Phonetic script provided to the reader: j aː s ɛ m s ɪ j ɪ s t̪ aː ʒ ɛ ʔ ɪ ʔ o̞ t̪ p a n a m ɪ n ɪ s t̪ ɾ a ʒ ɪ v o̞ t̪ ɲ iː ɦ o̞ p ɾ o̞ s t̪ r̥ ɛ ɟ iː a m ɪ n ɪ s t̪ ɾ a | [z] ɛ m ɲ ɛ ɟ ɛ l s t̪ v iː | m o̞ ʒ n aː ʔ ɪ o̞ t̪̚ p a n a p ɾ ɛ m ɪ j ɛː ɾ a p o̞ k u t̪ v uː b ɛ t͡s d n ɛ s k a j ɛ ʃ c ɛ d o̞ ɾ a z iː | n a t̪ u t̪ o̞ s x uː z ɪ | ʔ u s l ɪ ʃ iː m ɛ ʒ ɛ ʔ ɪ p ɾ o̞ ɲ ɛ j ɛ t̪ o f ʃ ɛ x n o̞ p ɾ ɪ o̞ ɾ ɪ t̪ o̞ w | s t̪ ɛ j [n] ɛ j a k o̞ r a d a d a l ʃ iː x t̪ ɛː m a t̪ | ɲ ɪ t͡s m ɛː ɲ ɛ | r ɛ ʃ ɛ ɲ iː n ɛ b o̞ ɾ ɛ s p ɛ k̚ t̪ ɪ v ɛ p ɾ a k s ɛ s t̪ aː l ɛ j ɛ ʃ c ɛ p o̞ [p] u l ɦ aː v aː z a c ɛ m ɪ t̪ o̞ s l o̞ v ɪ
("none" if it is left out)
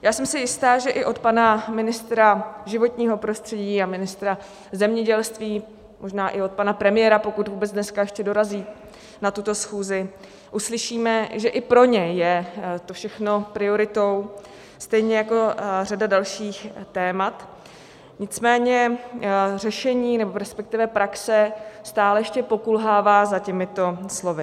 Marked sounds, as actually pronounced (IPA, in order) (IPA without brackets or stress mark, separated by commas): z, ɲ, k